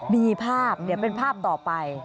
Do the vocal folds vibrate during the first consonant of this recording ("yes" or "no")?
yes